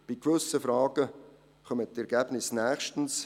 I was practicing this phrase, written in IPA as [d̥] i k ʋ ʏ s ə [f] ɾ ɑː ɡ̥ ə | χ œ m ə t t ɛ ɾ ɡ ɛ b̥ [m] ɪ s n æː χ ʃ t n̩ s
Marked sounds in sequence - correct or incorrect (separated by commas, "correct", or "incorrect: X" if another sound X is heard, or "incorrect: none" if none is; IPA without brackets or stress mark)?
incorrect: b̥, correct, incorrect: n